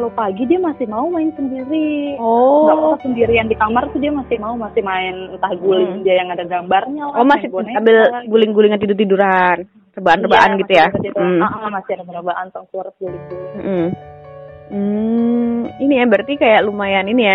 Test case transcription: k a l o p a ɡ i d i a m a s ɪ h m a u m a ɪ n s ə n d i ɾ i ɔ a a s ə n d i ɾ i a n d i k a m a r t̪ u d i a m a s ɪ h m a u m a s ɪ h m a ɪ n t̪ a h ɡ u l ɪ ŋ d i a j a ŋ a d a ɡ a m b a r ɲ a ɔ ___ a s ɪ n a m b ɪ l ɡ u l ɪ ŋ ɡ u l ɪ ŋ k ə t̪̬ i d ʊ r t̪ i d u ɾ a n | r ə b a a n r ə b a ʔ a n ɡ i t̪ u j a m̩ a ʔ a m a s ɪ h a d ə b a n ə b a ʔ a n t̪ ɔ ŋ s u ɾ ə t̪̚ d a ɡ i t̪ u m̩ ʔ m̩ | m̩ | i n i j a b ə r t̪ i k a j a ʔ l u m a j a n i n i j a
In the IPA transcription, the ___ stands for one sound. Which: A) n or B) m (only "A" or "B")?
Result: B